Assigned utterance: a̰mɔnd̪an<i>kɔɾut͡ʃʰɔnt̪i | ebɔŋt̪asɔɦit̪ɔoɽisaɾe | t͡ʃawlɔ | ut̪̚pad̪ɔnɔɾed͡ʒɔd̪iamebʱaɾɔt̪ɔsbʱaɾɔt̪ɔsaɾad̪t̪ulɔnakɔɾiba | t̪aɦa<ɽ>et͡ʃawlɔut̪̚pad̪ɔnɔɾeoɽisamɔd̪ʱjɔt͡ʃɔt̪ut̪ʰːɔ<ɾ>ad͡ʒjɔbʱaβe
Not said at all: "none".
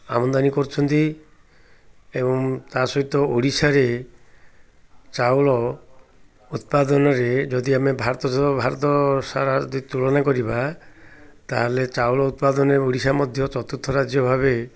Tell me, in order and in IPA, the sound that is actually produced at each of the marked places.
i, l, ɾ

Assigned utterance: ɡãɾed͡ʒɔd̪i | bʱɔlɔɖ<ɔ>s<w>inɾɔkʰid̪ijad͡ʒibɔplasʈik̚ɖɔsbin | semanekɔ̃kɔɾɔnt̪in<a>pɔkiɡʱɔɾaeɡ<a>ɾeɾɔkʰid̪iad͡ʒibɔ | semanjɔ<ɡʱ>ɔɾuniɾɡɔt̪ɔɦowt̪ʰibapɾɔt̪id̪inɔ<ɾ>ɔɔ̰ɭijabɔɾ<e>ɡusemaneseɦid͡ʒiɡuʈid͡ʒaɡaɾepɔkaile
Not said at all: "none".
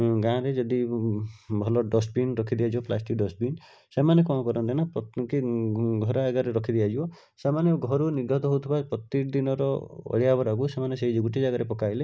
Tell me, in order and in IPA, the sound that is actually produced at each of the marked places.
ɔ, b, a, a, ɡʱ, ɾ, a

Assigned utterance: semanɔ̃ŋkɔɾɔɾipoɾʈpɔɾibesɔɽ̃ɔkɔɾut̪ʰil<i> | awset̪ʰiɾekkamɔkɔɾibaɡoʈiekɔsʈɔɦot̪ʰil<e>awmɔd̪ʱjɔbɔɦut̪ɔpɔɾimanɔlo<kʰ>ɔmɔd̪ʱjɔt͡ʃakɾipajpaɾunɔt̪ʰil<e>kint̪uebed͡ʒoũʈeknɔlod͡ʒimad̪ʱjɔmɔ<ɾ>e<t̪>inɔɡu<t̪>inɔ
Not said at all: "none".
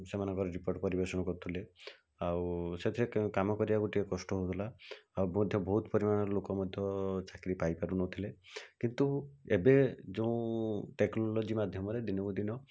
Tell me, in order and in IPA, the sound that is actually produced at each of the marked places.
e, a, k, e, ɾ, d̪, d̪

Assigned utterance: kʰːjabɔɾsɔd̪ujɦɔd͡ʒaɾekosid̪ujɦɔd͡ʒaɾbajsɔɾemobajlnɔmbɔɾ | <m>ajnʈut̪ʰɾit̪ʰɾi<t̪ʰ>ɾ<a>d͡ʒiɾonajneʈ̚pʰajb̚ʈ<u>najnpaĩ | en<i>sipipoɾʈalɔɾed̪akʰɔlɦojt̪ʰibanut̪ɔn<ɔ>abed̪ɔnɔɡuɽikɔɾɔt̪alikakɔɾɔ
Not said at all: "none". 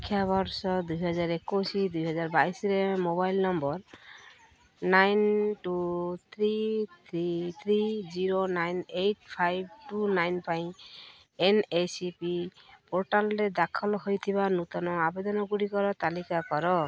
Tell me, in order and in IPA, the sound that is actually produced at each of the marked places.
n, t̪ʰ, i, u, e, ɔ

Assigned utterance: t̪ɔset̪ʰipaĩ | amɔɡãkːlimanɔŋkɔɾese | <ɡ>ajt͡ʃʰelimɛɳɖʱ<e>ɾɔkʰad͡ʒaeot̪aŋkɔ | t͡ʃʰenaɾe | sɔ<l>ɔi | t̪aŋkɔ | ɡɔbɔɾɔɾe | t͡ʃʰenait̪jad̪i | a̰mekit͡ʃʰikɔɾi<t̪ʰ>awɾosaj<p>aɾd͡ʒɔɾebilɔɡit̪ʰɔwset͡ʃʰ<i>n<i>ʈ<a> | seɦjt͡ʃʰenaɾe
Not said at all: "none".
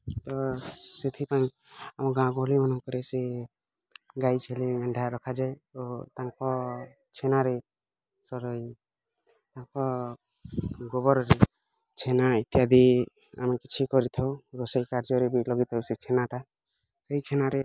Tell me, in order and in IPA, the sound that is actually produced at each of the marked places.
ɡ, a, ɾ, t̪ʰ, k, e, a, a

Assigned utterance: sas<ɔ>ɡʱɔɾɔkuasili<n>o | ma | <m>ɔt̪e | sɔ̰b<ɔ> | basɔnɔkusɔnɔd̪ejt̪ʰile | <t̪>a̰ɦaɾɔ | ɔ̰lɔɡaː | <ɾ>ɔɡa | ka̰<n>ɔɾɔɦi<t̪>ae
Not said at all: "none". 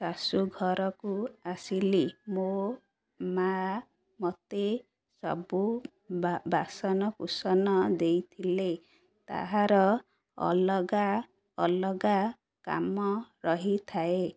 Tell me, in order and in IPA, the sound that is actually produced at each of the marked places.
u, m, m, u, t̪, l, m, t̪ʰ

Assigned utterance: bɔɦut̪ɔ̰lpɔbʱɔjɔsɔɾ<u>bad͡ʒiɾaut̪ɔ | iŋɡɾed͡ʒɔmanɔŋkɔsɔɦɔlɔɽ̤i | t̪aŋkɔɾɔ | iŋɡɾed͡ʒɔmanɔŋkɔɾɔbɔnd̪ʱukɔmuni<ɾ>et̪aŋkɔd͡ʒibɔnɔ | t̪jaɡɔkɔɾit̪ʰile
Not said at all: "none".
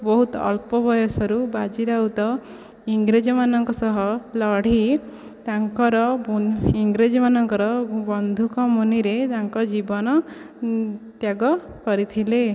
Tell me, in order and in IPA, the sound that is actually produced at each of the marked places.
u, ɾ

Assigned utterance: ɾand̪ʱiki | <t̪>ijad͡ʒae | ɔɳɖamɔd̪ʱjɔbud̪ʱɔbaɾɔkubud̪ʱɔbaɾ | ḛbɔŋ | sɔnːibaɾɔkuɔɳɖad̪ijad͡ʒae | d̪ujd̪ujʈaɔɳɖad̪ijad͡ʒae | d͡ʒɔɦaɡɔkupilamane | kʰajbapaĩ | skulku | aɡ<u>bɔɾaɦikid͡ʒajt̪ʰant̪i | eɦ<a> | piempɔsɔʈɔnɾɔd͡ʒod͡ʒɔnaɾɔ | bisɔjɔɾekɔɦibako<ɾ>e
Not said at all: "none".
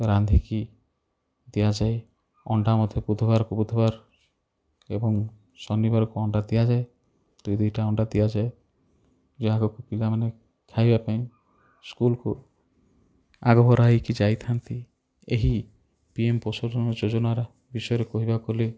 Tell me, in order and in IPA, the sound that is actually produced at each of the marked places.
d̪, ɔ, i, l

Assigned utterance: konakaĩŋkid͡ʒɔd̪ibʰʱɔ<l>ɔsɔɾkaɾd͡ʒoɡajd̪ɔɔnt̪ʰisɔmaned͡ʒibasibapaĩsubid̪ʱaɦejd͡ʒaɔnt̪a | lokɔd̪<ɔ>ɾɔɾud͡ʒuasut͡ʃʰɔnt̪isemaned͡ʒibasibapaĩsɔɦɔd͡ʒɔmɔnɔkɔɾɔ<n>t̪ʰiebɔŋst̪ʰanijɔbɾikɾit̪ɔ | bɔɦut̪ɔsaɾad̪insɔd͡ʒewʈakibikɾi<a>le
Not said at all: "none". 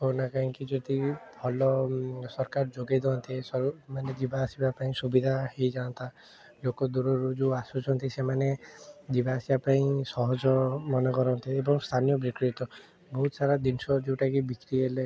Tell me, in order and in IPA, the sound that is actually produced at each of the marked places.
l, u, n, e

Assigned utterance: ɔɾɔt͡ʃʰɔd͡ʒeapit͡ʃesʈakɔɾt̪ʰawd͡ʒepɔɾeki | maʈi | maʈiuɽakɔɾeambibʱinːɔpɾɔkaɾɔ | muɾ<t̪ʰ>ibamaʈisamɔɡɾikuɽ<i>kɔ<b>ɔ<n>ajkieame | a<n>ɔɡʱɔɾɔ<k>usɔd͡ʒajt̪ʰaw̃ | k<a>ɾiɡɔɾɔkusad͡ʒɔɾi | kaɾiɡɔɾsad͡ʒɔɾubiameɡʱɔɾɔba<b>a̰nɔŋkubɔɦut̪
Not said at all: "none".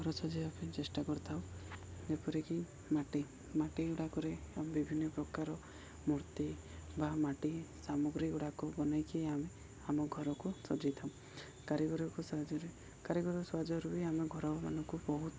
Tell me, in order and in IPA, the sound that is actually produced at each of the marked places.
t̪, a, b, n, m, k, a, m

